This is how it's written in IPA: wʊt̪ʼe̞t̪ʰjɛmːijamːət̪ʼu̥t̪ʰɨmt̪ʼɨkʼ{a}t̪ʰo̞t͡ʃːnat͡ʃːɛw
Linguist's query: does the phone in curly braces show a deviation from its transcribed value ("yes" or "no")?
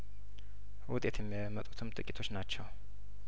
yes